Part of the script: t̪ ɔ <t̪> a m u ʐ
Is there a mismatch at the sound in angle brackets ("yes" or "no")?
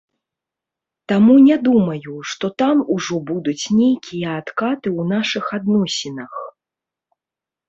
no